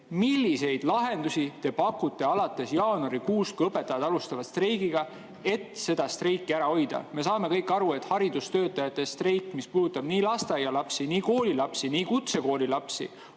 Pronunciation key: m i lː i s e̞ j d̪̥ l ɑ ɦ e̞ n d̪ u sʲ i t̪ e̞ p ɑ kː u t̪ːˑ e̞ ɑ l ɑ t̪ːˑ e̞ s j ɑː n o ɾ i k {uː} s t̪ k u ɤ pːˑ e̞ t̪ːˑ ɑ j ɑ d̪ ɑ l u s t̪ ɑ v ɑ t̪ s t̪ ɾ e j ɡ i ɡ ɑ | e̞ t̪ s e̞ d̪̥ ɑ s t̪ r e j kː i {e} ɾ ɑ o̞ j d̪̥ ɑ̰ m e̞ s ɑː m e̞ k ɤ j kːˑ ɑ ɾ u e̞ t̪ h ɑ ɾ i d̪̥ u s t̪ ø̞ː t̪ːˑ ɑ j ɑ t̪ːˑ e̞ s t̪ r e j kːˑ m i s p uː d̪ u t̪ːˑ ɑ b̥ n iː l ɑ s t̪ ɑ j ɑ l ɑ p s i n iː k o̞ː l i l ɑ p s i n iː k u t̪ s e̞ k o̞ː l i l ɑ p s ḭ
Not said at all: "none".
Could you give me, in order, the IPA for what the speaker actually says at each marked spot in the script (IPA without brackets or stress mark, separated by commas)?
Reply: uː, æ